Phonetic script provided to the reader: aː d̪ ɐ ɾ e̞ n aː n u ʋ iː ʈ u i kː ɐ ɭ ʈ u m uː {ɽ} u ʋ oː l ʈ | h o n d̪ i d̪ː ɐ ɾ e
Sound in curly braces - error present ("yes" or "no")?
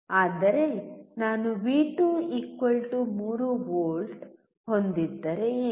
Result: yes